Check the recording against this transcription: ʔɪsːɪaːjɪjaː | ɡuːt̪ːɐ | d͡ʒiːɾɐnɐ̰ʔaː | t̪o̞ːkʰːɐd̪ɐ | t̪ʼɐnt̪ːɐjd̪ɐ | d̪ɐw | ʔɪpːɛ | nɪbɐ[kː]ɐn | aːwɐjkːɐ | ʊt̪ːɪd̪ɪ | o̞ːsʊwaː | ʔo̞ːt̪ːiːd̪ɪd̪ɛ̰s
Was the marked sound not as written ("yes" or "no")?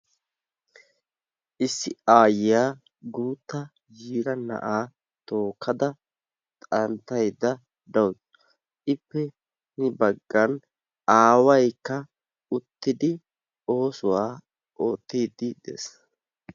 yes